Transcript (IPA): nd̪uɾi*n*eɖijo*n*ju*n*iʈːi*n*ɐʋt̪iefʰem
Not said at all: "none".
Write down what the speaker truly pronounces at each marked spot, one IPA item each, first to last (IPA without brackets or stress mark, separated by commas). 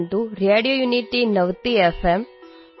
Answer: none, none, n, n